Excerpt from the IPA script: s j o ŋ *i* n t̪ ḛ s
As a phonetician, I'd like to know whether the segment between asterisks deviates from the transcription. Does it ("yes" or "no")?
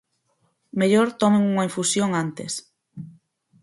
yes